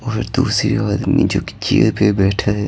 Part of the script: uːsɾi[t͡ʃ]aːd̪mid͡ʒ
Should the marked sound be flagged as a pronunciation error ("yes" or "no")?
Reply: yes